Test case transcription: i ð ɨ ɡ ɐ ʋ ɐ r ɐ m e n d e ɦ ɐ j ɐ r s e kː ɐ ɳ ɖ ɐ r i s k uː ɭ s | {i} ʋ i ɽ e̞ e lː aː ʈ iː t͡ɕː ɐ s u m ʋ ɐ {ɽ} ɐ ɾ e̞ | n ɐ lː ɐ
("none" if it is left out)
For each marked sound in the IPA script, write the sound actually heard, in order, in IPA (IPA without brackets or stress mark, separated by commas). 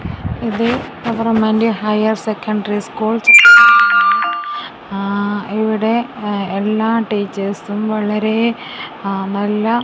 i, ɭ